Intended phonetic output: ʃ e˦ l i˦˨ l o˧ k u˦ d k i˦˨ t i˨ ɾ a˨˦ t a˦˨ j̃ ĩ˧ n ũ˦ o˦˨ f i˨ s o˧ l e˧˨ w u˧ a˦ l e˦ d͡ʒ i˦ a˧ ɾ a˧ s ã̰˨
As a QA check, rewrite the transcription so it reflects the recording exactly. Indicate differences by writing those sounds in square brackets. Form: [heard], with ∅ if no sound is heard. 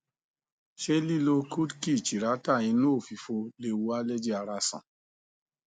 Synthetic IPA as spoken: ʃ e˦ l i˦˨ l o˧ k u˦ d k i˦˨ [t͡ʃ] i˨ ɾ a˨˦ t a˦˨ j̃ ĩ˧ n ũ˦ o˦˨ f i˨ [f] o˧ l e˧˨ w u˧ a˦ l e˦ d͡ʒ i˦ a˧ ɾ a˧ s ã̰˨